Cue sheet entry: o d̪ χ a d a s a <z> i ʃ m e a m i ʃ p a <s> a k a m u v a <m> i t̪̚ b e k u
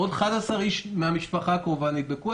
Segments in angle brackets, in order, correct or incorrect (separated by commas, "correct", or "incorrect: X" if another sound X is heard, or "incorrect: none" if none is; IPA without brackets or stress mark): incorrect: ʁ, incorrect: χ, incorrect: n